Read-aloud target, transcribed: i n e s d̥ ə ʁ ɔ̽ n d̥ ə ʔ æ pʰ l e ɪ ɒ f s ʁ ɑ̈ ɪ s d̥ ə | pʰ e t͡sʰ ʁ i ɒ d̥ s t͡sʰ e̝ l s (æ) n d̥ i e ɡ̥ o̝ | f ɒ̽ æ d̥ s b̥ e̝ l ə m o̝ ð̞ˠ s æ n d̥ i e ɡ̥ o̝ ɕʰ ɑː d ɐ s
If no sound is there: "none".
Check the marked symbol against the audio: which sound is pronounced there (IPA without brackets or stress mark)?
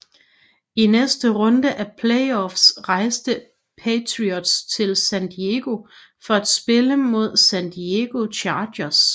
æ